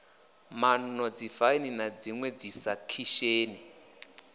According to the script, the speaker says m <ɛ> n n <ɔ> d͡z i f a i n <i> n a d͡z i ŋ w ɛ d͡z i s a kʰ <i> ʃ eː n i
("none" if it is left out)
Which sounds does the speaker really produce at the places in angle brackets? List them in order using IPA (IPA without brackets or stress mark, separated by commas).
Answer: a, ɔ, i, i